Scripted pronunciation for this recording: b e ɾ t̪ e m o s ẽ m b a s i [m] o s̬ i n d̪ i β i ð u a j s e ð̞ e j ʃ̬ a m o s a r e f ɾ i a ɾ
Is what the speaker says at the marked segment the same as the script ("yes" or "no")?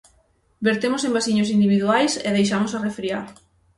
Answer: no